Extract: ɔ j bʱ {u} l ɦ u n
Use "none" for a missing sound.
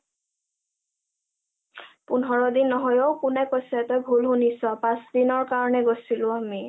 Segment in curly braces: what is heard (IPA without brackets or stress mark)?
u